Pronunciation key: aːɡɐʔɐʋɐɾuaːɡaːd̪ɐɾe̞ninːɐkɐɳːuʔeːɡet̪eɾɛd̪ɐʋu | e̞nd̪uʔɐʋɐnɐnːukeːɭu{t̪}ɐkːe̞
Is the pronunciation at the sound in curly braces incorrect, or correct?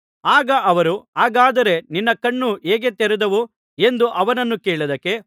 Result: incorrect